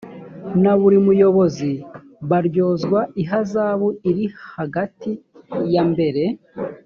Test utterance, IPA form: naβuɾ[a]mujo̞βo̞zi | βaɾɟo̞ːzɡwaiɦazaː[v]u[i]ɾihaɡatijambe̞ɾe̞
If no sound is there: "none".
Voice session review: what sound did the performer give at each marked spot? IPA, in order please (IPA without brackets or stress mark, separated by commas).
i, β, i